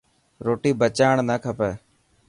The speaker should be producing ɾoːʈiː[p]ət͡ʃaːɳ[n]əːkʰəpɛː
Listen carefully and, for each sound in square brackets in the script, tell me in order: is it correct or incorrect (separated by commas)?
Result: incorrect, correct